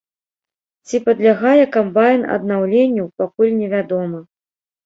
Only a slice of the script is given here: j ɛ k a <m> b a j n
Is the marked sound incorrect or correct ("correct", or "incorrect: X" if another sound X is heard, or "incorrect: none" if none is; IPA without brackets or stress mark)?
correct